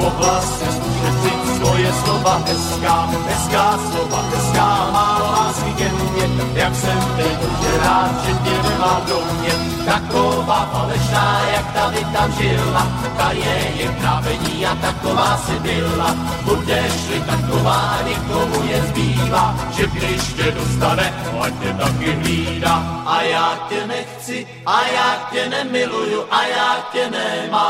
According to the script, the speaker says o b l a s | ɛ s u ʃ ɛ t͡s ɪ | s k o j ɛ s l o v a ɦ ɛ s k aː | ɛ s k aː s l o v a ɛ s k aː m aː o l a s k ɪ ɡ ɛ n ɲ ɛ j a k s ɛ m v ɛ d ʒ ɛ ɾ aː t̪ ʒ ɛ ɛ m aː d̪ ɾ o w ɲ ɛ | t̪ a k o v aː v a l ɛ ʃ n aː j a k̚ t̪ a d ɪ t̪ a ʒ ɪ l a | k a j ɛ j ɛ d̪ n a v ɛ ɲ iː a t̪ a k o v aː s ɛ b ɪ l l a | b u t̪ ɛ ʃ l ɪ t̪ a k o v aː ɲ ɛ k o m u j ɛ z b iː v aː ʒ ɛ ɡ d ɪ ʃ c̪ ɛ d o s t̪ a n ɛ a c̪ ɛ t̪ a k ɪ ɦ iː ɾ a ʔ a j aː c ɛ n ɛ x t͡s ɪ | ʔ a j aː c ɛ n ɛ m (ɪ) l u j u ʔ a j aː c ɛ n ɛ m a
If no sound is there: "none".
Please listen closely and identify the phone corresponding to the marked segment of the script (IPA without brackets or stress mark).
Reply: ɪ